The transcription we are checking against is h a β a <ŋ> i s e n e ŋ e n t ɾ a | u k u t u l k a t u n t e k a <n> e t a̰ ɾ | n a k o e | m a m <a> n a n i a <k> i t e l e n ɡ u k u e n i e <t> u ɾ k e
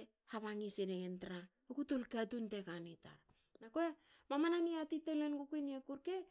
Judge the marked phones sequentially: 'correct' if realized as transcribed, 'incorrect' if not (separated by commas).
correct, correct, correct, incorrect, incorrect